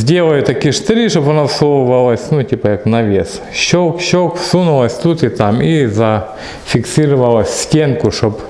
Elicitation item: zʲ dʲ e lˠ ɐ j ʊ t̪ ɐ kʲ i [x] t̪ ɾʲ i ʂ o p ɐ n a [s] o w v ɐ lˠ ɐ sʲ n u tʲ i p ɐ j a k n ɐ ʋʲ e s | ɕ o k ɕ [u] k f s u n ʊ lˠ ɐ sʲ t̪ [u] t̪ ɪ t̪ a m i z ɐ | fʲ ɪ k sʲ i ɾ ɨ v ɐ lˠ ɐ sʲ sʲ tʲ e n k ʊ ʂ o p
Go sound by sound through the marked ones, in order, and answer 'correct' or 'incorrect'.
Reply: incorrect: ʂ, correct, incorrect: o, correct

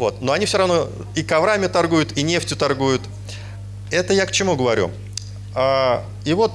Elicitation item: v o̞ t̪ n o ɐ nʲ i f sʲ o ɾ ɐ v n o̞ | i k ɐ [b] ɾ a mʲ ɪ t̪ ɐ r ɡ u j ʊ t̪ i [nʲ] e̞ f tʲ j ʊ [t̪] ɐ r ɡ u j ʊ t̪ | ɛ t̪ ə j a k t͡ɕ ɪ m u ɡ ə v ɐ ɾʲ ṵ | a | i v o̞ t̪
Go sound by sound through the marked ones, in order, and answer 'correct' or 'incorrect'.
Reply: incorrect: v, correct, correct

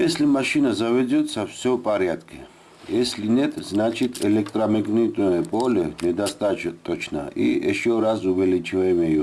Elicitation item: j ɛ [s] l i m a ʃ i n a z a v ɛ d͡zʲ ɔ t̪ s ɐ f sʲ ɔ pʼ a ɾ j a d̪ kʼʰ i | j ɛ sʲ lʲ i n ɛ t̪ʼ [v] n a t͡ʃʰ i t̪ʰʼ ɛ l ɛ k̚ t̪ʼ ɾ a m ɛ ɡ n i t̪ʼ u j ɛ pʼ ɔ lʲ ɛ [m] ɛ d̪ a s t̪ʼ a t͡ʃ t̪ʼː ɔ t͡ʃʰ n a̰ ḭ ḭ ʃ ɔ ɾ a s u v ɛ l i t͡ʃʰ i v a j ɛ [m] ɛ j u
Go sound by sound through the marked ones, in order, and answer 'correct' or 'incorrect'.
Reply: correct, incorrect: z, incorrect: n, correct

